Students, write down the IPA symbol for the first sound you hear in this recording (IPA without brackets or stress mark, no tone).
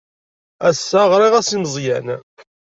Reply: æ